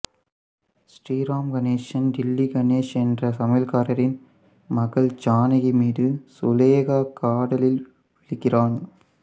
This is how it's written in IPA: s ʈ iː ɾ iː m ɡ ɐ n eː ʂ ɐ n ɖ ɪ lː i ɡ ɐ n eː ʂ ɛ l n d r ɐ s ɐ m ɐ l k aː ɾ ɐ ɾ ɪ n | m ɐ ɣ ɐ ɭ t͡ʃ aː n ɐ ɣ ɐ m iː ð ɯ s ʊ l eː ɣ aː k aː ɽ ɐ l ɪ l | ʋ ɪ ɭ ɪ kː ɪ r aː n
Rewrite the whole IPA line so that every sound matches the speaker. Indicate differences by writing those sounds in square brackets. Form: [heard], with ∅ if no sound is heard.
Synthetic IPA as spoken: s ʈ iː ɾ [aː] m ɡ ɐ n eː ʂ ɐ n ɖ ɪ lː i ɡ ɐ n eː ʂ ɛ [∅] n d r ɐ s ɐ m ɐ l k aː ɾ ɐ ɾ ɪ n | m ɐ ɣ ɐ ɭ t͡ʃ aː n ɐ ɣ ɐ m iː ð ɯ s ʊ l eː ɣ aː k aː ɽ ɐ l ɪ l | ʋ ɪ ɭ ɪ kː ɪ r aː n

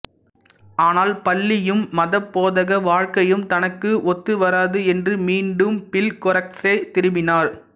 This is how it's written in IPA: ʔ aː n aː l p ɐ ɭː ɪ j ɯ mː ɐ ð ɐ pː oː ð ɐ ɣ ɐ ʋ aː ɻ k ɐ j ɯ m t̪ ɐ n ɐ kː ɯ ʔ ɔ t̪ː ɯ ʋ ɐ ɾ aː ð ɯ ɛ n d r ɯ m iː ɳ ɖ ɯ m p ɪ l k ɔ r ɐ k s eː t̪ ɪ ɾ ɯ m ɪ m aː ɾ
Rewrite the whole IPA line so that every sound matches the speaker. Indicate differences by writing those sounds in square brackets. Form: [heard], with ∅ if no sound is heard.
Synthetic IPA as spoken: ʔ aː n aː l p ɐ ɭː ɪ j ɯ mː ɐ ð ɐ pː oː ð ɐ ɣ ɐ ʋ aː ɻ k ɐ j ɯ m t̪ ɐ n ɐ kː ɯ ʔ ɔ t̪ː ɯ ʋ ɐ ɾ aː ð ɯ ɛ n d r ɯ m iː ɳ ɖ ɯ m p ɪ l k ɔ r ɐ k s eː t̪ ɪ ɾ ɯ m ɪ [n] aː ɾ

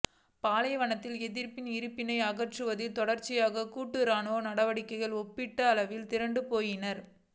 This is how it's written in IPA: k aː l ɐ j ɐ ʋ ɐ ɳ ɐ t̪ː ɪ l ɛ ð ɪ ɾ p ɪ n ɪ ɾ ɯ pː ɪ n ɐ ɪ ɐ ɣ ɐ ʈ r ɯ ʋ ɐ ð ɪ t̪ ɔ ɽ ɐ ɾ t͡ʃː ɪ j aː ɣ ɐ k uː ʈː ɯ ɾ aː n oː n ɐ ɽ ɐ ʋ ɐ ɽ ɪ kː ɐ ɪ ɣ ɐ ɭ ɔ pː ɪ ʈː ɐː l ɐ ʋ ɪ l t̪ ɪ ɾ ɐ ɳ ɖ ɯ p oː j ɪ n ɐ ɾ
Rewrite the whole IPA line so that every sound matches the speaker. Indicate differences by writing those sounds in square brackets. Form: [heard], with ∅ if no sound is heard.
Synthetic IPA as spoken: [p] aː l ɐ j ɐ ʋ ɐ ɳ ɐ t̪ː ɪ l ɛ ð ɪ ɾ p ɪ n ɪ ɾ ɯ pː ɪ n ɐ ɪ ɐ ɣ ɐ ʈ r ɯ ʋ ɐ ð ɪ t̪ ɔ ɽ ɐ ɾ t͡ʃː ɪ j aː ɣ ɐ k uː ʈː ɯ ɾ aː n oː n ɐ ɽ ɐ ʋ ɐ ɽ ɪ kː ɐ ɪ ɣ ɐ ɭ ɔ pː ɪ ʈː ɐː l ɐ ʋ ɪ l t̪ ɪ ɾ ɐ ɳ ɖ ɯ p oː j ɪ n ɐ ɾ

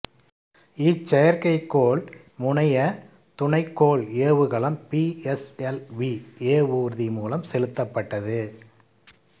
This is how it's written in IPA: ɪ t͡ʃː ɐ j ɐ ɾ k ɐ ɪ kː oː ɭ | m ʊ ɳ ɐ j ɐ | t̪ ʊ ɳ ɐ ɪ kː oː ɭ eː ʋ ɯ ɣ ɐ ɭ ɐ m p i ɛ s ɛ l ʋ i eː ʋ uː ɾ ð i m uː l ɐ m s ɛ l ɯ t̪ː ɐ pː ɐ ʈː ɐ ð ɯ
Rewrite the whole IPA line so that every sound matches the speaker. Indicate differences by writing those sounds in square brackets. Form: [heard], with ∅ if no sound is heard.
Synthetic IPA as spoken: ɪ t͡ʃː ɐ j ɐ ɾ k ɐ ɪ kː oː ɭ | m ʊ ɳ ɐ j ɐ | t̪ ʊ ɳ ɐ ɪ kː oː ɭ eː ʋ ɯ ɣ ɐ ɭ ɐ m p i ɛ s ɛ l ʋ i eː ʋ uː ɾ ð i m uː l ɐ m s ɛ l ɯ t̪ː ɐ pː ɐ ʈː ɐ ð ɯ

